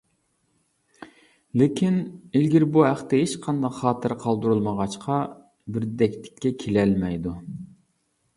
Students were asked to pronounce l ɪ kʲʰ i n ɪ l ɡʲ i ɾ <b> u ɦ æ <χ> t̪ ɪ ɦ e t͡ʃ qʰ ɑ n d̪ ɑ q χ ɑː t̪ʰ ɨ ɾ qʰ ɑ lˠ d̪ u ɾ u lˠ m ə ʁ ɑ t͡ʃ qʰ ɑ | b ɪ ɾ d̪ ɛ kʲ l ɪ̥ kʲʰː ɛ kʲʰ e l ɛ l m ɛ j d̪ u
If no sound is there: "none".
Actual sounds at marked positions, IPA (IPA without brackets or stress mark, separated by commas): b, χ